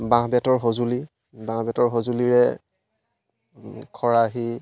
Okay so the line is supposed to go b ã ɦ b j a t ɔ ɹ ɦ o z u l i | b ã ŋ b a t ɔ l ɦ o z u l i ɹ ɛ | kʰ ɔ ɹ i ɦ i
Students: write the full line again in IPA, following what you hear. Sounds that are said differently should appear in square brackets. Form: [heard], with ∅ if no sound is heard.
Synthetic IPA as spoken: b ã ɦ b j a t ɔ ɹ ɦ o z u l i | b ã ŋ b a t ɔ [ɹ] ɦ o z u l i ɹ ɛ | kʰ ɔ ɹ [a] ɦ i